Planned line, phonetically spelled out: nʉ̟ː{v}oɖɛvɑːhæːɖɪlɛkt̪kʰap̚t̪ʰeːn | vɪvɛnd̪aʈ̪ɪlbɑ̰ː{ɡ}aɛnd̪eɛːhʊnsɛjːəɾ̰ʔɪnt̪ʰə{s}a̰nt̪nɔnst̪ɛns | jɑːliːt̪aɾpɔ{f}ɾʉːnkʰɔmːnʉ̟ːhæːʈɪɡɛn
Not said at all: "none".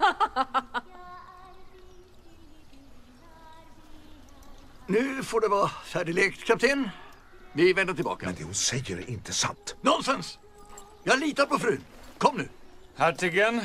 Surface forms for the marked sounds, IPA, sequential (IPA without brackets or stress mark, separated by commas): f, k, s, f